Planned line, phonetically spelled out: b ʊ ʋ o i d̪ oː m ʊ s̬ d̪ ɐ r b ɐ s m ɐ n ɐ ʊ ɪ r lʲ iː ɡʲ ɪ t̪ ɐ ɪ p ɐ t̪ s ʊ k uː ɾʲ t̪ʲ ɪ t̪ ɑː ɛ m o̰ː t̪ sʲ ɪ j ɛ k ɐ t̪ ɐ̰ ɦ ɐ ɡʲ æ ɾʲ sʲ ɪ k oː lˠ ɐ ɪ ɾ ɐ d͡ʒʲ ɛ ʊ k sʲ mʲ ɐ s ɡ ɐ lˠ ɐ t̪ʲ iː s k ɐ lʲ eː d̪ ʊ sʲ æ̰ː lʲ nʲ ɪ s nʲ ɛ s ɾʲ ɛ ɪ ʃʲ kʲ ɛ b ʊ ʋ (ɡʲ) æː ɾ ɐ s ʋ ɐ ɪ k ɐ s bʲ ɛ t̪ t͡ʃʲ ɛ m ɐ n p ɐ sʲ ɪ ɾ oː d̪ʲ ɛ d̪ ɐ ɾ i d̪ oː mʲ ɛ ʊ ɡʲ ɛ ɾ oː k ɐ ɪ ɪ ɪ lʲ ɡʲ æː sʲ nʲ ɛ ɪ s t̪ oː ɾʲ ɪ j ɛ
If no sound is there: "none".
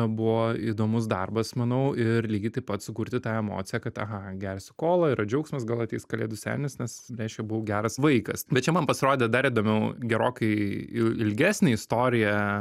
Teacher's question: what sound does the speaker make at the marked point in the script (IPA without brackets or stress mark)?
ɡʲ